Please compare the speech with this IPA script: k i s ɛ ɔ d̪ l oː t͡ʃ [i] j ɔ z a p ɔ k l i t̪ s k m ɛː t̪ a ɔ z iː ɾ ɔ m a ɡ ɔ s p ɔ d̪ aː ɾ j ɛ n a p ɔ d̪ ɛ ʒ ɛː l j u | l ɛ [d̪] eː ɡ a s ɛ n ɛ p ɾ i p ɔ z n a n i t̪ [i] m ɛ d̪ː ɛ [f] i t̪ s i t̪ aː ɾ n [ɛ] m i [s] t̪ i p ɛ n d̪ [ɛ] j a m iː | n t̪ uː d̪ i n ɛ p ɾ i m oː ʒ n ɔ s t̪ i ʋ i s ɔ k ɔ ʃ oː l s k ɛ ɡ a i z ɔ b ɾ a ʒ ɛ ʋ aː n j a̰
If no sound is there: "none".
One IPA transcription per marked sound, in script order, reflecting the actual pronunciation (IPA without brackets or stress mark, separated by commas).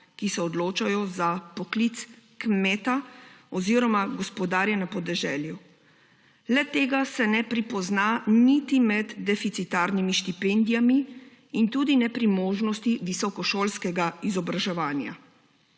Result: a, t̪, i, f, i, ʃ, i